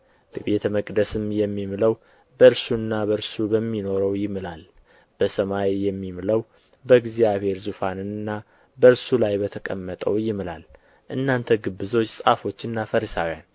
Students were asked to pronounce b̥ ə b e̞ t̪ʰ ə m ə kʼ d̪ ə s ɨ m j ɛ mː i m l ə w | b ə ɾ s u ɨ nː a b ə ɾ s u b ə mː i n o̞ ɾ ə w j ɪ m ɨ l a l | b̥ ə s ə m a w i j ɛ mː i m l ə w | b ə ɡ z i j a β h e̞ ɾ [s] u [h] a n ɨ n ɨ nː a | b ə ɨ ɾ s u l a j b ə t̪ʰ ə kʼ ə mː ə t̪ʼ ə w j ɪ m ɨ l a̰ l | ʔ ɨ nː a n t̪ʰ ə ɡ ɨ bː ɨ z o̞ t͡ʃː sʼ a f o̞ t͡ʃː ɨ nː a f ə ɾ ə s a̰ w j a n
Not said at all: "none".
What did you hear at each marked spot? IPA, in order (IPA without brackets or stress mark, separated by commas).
z, f